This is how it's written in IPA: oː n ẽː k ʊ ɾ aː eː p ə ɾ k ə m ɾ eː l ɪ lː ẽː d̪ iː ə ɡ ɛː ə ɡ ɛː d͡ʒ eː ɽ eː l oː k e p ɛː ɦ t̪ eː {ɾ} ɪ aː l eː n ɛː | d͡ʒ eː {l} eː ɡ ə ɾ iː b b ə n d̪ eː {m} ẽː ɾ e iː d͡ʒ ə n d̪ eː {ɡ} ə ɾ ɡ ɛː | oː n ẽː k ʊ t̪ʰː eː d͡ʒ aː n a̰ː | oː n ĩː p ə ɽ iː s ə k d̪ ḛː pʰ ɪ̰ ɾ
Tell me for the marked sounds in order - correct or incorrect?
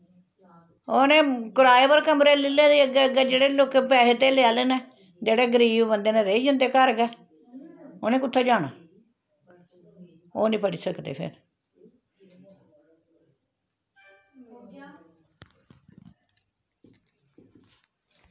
incorrect, incorrect, incorrect, incorrect

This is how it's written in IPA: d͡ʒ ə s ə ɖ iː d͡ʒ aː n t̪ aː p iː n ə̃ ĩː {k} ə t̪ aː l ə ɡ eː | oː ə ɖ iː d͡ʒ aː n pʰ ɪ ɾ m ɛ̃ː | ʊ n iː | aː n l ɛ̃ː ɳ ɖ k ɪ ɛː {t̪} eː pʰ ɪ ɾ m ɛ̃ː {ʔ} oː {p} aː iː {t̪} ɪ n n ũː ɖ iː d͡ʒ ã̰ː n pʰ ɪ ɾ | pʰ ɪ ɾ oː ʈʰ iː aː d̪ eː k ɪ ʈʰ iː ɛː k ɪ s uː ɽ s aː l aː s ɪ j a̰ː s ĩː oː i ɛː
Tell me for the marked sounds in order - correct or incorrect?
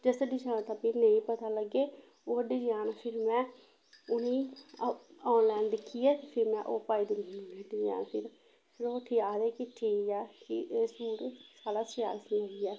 incorrect, correct, correct, correct, incorrect

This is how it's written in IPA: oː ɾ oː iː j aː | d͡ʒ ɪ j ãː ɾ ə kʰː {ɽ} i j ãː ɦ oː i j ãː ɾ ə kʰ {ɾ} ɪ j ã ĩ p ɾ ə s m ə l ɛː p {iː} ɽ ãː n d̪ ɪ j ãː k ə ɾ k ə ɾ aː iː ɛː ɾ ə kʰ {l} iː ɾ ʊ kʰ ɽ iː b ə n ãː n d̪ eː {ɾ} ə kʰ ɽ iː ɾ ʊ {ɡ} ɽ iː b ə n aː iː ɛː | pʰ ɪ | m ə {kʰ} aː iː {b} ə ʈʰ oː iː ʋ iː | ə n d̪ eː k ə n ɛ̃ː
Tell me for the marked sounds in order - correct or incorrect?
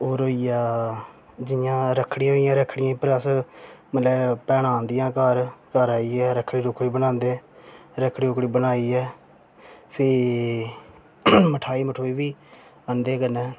correct, incorrect, incorrect, incorrect, correct, incorrect, incorrect, incorrect

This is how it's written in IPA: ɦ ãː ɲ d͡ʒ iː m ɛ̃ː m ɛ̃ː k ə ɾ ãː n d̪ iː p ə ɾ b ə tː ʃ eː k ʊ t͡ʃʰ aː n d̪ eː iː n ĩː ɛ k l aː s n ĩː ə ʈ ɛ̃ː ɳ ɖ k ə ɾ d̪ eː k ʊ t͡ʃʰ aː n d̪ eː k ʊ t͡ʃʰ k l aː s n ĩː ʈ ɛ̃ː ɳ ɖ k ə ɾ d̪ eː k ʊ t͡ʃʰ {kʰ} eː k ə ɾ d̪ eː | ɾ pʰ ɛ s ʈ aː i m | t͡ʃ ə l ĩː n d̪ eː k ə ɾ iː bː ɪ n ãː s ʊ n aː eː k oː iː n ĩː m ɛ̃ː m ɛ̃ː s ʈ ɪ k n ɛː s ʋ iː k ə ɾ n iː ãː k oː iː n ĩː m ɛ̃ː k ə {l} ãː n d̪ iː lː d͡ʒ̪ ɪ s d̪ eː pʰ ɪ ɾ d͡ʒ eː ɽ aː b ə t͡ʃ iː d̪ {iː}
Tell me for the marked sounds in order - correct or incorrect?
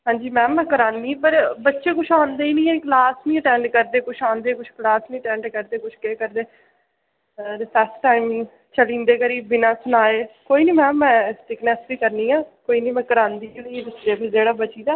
incorrect, incorrect, incorrect

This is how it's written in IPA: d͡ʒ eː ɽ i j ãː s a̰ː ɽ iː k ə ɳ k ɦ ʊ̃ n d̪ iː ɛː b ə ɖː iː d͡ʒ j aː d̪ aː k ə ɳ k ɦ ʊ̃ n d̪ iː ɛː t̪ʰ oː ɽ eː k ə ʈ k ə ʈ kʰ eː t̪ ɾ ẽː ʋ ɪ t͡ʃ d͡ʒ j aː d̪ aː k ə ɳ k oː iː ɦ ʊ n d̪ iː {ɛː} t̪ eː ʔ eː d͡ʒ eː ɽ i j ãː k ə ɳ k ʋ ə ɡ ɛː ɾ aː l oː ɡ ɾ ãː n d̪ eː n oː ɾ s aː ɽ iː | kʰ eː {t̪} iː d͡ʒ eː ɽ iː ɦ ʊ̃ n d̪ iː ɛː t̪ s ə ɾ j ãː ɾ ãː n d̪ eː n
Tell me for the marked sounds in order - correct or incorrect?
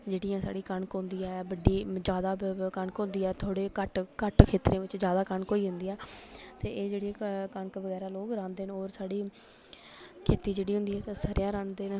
correct, correct

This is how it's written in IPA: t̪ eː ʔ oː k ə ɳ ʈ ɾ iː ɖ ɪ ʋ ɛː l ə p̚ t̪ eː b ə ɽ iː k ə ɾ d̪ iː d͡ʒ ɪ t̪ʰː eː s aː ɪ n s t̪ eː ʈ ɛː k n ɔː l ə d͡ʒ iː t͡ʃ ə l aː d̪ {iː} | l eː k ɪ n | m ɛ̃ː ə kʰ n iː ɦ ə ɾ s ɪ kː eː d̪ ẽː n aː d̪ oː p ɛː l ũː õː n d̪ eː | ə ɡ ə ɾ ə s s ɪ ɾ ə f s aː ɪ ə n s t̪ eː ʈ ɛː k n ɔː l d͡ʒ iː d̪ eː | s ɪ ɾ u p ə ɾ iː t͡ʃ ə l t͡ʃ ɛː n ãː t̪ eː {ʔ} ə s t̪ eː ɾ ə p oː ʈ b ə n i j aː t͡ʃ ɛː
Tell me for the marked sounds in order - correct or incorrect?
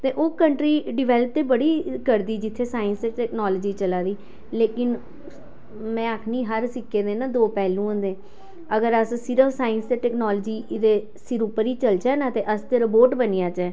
correct, correct

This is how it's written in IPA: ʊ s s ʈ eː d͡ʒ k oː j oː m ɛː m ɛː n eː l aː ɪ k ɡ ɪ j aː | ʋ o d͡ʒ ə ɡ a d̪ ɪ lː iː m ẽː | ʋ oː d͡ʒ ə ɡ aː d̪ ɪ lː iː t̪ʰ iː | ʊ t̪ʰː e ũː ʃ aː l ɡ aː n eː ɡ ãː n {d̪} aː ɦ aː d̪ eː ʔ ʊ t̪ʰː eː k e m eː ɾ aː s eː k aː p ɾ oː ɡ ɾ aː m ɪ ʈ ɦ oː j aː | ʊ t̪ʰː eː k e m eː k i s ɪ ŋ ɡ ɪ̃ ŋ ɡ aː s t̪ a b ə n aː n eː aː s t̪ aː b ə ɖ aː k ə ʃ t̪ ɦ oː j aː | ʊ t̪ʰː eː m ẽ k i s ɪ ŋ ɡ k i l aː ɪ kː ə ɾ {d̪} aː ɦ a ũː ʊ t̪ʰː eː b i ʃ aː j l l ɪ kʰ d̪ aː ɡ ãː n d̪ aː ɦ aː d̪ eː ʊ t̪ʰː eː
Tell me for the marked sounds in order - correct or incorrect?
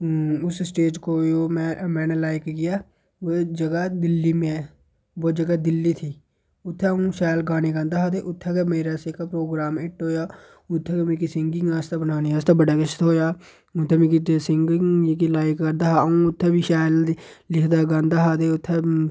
correct, correct

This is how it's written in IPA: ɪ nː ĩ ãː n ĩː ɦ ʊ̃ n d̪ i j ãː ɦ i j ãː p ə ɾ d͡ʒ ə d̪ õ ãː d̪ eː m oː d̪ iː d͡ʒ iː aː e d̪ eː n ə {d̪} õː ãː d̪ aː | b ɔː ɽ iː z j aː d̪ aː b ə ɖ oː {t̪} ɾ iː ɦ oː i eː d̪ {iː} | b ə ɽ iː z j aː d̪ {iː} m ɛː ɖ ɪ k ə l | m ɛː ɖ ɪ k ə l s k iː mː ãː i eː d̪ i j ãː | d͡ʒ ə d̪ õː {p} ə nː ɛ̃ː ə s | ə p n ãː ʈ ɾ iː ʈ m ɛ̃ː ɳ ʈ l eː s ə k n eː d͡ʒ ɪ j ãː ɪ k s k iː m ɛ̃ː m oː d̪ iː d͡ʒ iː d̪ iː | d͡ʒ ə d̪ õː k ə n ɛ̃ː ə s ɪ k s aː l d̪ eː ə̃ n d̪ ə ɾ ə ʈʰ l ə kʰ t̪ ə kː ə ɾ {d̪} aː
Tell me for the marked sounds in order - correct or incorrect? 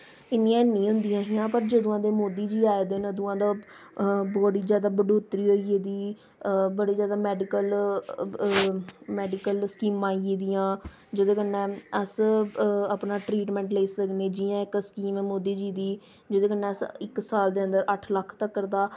correct, correct, correct, incorrect, incorrect, correct

